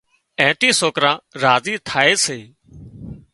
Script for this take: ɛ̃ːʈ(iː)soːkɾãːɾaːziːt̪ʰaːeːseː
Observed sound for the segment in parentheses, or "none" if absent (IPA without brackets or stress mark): iː